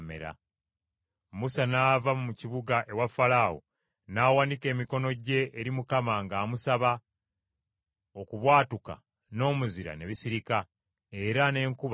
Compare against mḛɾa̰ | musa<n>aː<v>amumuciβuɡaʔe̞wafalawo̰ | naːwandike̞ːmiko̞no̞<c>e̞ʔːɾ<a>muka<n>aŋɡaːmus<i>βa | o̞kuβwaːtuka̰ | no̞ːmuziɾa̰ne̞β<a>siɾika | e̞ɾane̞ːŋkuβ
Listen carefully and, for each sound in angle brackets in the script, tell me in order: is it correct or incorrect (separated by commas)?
correct, correct, incorrect, incorrect, incorrect, incorrect, incorrect